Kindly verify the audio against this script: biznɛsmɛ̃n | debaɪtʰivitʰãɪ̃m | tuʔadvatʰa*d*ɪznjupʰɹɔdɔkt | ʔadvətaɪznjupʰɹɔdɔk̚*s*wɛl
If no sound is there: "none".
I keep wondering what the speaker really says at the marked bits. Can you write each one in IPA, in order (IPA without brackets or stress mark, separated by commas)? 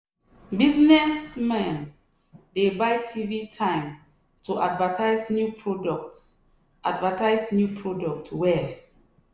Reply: none, t